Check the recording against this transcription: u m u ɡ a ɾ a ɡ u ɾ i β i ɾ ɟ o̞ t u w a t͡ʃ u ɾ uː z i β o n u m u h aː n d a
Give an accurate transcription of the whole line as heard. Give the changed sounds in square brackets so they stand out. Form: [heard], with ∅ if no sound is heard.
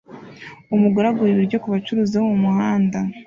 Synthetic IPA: u m u ɡ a ɾ a ɡ u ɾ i β i ɾ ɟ o̞ [k] u [β] a t͡ʃ u ɾ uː z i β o [m] u m u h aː n d a